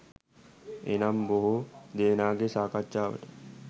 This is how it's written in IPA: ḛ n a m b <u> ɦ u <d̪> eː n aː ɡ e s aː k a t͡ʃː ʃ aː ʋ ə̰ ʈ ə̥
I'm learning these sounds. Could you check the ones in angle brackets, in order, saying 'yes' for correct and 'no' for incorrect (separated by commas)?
no, yes